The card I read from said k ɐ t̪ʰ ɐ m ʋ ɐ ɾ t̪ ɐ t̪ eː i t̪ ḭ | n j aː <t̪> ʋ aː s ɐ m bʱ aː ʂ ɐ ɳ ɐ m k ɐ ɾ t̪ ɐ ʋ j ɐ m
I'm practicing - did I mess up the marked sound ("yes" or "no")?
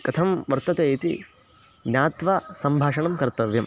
no